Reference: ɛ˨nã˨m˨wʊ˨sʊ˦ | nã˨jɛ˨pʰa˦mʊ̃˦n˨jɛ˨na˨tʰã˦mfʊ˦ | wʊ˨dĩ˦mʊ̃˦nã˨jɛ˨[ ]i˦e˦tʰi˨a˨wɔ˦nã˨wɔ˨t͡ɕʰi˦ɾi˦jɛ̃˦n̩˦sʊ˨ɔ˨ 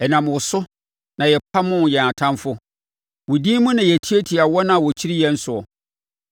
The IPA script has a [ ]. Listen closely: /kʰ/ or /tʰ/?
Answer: tʰ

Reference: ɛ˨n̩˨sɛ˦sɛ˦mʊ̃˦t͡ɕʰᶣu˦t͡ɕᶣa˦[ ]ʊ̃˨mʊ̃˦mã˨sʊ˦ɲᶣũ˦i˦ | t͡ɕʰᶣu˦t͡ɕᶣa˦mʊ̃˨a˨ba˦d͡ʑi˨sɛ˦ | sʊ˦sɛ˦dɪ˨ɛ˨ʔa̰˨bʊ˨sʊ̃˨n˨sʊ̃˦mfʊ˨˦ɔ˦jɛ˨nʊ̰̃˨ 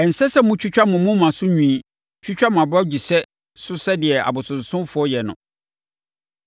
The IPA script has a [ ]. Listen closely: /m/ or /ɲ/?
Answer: m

